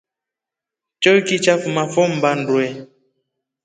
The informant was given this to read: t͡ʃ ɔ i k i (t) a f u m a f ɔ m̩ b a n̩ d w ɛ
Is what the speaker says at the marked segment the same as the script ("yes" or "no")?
no